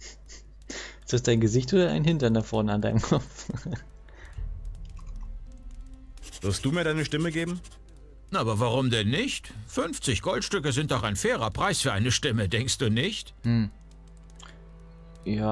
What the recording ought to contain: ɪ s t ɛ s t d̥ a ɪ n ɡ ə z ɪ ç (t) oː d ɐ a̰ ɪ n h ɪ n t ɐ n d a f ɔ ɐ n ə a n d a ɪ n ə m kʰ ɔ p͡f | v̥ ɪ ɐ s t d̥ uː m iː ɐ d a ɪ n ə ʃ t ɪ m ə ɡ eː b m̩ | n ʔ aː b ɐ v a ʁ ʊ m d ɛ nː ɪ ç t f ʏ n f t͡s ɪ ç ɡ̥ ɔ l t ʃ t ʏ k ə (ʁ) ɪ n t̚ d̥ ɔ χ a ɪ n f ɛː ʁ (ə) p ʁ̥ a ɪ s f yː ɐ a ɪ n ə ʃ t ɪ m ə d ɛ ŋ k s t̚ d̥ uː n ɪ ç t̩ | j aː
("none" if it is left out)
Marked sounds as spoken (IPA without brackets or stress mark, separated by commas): t, z, ɐ